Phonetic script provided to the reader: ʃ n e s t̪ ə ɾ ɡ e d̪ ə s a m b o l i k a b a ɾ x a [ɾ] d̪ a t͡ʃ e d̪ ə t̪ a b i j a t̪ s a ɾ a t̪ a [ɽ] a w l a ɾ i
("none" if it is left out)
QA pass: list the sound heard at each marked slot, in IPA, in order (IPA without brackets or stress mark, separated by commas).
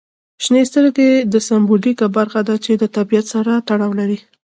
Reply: none, ɽ